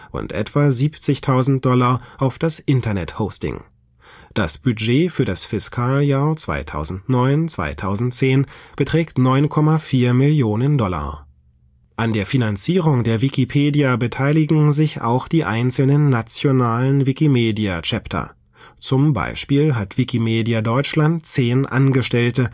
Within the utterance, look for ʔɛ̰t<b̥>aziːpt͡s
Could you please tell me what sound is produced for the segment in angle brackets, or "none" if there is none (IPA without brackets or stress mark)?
v̥